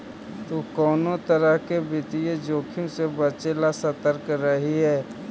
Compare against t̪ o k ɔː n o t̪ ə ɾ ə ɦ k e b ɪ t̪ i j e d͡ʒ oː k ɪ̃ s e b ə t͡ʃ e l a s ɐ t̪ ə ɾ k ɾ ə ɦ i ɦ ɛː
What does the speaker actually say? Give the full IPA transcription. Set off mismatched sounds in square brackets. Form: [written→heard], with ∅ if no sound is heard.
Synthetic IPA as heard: t̪ o k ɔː n o t̪ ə ɾ ə ɦ k e b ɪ t̪ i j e d͡ʒ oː [k→kʰ] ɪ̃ s e b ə t͡ʃ e l a s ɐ t̪ ə ɾ k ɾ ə ɦ i ɦ ɛː